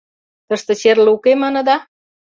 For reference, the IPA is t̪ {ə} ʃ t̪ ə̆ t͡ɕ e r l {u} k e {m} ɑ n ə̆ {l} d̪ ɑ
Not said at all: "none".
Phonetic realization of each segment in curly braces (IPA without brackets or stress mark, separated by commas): ə, u, m, none